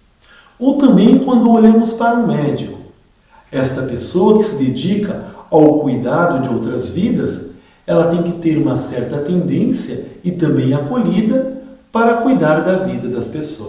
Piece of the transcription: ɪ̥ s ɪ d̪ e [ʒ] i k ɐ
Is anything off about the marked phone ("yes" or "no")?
yes